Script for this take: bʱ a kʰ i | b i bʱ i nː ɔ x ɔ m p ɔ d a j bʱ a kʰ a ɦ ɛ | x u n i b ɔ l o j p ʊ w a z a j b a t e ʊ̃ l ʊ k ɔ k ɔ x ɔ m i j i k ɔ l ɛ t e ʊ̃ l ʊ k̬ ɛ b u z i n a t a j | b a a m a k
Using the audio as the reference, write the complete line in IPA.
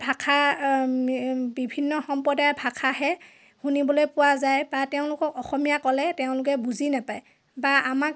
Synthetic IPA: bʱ a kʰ a | b i bʱ i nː ɔ x ɔ m p ɔ d a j bʱ a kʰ a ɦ ɛ | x u n i b ɔ l o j p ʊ w a z a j b a t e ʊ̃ l ʊ k ɔ k ɔ x ɔ m i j a k ɔ l ɛ t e ʊ̃ l ʊ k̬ ɛ b u z i n a p a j | b a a m a k

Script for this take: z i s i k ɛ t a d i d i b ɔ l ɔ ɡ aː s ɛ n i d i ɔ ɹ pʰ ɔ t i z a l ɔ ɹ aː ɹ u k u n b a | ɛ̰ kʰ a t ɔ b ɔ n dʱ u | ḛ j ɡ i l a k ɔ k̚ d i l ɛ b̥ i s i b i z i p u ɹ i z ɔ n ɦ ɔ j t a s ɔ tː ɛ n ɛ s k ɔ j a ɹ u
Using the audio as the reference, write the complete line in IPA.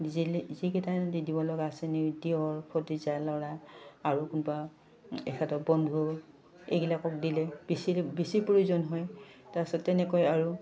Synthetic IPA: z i z i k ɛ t a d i d i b ɔ l ɔ ɡ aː s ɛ n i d i ɔ ɹ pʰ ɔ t i z a l ɔ ɹ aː ɹ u k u n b a | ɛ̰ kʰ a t ɔ b ɔ n dʱ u | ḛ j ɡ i l a k ɔ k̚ d i l ɛ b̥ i s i b i s i p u ɹ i z ɔ n ɦ ɔ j t a s ɔ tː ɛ n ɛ k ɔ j a ɹ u

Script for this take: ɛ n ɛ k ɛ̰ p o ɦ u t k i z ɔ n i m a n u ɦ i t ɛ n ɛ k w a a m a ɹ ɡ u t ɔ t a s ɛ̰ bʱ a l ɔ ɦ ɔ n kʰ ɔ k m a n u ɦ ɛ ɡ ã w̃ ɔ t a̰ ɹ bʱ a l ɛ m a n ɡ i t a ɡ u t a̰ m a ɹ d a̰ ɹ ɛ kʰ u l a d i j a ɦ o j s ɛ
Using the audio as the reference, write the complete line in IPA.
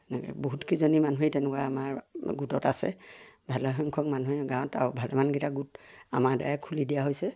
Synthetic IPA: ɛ n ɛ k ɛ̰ b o ɦ u t k i z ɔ n i m a n u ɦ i t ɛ n ɛ k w a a m a ɹ ɡ u t ɔ t a s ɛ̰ bʱ a l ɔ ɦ ɔ ŋ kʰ ɔ k m a n u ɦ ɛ ɡ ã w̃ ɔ t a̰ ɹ bʱ a l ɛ m a n ɡ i t a ɡ u t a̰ m a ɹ d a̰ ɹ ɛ kʰ u l i d i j a ɦ o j s ɛ

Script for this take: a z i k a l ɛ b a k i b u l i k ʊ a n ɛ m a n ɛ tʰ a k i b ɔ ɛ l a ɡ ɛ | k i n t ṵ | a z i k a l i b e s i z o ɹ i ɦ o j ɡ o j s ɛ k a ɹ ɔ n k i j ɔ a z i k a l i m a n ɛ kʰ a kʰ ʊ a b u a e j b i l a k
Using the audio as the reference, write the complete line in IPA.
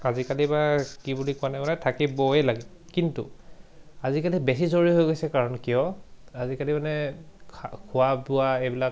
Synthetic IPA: a z i k a l i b a k i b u l i k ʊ a n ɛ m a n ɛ tʰ a k i b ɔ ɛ l a ɡ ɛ | k i n t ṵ | a z i k a l i b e s i z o ɹ i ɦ o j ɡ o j s ɛ k a ɹ ɔ n k i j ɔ a z i k a l i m a n ɛ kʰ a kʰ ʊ a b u a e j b i l a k

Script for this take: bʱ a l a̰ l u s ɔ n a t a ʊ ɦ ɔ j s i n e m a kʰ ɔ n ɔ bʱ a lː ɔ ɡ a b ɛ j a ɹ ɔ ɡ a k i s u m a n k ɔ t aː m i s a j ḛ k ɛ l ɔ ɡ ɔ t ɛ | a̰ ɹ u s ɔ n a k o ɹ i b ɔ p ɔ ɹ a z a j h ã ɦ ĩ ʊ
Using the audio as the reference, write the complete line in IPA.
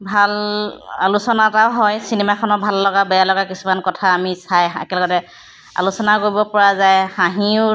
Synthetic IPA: bʱ a l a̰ l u s ɔ n a t a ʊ ɦ ɔ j s i n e m a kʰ ɔ n ɔ bʱ a lː ɔ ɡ a b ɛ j a l ɔ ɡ a k i s u m a n k ɔ tʰ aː m i s a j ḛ k ɛ l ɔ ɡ ɔ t ɛ | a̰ l u s ɔ n a k o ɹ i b ɔ p ɔ ɹ a z a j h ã ɦ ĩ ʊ

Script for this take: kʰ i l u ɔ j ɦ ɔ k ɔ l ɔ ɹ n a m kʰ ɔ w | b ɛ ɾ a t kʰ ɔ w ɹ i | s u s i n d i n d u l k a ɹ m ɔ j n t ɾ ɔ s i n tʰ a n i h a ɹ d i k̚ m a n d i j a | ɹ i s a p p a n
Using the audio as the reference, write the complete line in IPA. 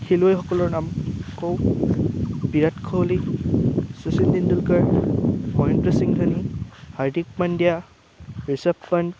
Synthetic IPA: kʰ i l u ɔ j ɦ ɔ k ɔ l ɔ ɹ n a m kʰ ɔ w | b i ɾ a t kʰ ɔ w l i | s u s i n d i n d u l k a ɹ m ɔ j n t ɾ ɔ s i ŋ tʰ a n i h a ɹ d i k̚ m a n d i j a | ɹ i s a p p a n

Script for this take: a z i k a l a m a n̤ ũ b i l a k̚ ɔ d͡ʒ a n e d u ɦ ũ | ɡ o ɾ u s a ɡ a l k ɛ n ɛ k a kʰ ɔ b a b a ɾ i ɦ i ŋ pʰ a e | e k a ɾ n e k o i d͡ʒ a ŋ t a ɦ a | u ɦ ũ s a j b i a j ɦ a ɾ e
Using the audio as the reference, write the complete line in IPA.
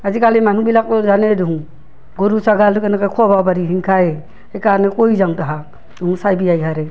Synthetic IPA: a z i k a l i m a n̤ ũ b i l a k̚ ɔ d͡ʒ a n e d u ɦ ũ | ɡ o ɾ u s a ɡ a l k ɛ n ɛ k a kʰ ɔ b a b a ɾ i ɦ i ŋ kʰ a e | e k a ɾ n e k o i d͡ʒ a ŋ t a ɦ a | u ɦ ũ s a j b i a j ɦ a ɾ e

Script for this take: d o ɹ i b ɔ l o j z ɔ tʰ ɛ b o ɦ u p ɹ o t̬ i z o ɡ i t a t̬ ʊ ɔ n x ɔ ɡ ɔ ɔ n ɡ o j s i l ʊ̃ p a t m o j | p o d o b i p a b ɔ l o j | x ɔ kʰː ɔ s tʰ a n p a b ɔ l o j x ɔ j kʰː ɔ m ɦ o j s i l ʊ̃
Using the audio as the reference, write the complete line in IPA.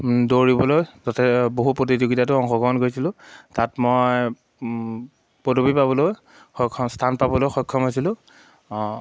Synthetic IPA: d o ɹ i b ɔ l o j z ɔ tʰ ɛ b o ɦ u p ɹ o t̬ i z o ɡ i t a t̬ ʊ ɔ ŋ x ɔ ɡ ɔ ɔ n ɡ o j s i l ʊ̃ t a t m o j | p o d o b i p a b ɔ l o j | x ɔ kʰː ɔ s tʰ a n p a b ɔ l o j x ɔ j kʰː ɔ m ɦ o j s i l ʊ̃

